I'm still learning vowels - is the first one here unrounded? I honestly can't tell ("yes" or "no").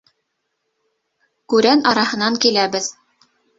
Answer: no